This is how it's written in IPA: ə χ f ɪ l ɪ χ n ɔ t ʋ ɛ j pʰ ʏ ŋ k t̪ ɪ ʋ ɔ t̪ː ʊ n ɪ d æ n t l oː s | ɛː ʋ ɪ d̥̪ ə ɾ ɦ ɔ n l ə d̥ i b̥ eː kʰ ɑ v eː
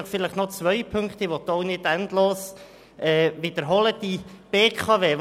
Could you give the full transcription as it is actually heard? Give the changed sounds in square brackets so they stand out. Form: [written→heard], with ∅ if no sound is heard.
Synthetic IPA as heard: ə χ f ɪ l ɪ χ n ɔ [t→t͡s] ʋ [ɛ→œ] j pʰ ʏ ŋ k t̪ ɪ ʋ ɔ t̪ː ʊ n ɪ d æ n t l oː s | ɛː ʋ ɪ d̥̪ ə ɾ ɦ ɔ [n→∅] l ə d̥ i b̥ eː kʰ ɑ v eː